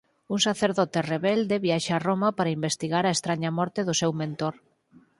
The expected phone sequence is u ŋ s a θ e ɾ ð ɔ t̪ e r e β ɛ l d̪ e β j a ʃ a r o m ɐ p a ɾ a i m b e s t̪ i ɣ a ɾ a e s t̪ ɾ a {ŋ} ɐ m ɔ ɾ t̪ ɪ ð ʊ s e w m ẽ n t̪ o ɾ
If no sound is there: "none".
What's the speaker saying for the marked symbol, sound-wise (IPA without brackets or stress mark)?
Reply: ɲ